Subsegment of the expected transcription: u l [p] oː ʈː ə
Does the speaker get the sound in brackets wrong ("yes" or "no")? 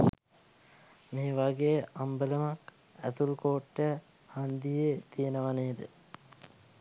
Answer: yes